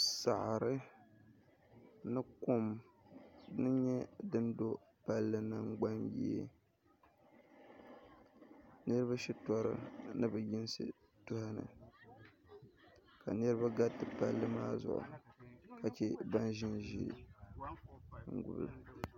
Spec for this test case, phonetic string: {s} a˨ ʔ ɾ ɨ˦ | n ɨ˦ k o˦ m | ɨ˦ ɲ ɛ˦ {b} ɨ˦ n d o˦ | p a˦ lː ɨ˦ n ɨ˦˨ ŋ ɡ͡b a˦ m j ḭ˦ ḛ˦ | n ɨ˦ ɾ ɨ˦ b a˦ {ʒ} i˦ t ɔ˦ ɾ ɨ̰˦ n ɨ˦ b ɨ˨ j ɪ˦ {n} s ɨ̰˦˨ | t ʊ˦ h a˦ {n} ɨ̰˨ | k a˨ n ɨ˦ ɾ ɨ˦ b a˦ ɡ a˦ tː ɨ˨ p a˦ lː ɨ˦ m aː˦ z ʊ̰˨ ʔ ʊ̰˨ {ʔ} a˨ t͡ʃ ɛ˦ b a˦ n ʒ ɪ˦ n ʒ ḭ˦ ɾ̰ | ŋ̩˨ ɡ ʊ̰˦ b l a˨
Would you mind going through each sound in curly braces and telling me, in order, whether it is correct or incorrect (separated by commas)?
correct, incorrect, incorrect, correct, correct, incorrect